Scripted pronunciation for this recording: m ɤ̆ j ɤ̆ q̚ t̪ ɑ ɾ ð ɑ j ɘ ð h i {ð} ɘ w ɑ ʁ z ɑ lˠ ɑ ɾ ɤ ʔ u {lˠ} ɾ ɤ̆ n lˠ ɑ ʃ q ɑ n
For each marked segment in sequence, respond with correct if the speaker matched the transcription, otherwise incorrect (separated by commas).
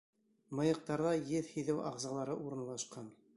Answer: correct, incorrect